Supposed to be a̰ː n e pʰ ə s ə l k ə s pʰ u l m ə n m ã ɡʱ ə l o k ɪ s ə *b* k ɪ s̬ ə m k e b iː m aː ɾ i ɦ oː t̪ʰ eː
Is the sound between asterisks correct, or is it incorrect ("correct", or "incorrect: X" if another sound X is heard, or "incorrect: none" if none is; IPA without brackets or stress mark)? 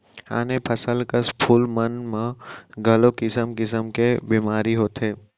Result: incorrect: m